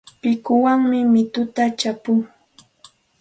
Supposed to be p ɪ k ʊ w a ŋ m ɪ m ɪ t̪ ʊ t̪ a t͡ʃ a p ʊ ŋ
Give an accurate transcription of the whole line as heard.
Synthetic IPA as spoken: p ɪ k ʊ w a ŋ m ɪ m ɪ t̪ ʊ t̪ a t͡ʃ a p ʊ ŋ